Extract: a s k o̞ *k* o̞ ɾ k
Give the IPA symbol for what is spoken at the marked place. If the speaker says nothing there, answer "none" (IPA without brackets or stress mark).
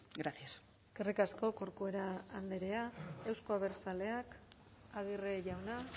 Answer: k